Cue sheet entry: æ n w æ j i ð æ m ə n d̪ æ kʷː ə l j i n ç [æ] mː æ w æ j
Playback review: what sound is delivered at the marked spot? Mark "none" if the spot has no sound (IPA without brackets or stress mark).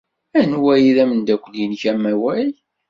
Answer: æ